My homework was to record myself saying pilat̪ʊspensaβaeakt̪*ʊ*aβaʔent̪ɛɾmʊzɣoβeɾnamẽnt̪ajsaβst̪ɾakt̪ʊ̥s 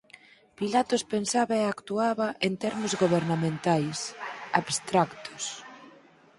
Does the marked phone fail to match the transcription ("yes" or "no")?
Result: yes